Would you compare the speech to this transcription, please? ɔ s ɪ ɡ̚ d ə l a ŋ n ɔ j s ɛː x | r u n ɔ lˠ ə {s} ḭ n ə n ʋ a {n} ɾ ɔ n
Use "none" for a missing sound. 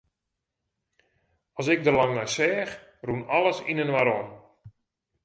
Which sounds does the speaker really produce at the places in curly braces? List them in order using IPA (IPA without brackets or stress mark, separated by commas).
s, none